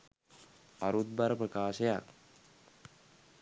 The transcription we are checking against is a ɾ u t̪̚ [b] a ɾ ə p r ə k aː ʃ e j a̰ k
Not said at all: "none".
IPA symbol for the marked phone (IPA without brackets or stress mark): b